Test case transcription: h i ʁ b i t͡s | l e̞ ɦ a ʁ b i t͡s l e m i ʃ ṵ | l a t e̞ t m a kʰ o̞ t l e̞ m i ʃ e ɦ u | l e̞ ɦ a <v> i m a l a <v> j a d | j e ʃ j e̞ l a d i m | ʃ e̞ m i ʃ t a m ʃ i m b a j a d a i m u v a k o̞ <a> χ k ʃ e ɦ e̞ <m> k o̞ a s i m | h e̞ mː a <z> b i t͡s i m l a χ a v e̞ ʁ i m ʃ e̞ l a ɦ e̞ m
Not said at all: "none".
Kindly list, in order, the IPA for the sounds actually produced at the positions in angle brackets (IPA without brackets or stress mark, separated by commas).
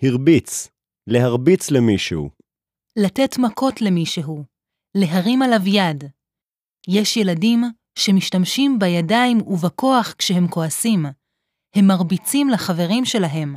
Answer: ʁ, v, a, m, ʁ